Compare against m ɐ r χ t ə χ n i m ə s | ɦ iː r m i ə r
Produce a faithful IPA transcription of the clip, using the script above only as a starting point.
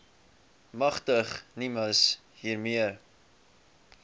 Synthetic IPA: m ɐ χ t ə χ n i m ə s | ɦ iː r m i ə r